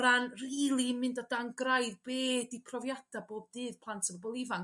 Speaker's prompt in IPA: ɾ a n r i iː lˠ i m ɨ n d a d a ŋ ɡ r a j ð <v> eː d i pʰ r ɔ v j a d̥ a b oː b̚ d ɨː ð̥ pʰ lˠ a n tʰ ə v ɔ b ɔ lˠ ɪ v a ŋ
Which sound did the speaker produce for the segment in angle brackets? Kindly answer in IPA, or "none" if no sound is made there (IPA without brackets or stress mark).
b